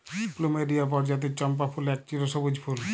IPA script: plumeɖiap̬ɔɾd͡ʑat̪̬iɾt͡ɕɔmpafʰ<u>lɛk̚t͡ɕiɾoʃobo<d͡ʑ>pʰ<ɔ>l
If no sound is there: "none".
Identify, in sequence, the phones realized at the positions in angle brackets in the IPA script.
u, d͡ʑ, u

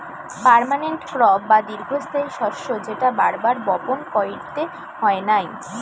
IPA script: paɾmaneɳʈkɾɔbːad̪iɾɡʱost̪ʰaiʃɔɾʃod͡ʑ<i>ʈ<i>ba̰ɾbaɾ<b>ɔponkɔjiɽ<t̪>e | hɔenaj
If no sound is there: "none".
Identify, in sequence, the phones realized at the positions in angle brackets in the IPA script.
e, a, b, t̪

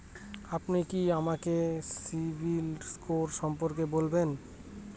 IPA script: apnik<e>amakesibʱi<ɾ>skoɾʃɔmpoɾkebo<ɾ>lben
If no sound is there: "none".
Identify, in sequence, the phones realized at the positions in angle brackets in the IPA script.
i, l, none

